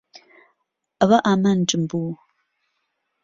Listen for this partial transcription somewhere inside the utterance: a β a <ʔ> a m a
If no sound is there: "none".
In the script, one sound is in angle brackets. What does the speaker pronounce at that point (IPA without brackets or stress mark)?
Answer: ʔ